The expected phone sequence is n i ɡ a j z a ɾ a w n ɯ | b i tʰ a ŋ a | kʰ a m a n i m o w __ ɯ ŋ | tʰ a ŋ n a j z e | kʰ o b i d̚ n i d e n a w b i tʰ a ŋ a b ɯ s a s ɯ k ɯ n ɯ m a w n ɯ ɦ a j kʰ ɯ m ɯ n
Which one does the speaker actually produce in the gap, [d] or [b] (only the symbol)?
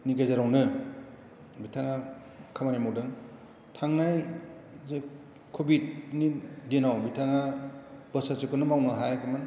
d